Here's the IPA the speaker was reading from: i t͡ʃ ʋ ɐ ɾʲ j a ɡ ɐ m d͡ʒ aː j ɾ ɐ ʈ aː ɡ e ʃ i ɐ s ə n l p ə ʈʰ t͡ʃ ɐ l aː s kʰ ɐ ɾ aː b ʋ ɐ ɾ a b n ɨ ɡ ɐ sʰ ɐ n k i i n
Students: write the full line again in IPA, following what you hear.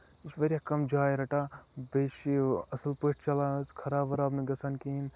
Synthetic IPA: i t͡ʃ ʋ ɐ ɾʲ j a k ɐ m d͡ʒ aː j ɾ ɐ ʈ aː b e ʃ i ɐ s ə l p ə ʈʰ t͡ʃ ɐ l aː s kʰ ɐ ɾ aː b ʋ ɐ ɾ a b n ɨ ɡ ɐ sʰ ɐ n k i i n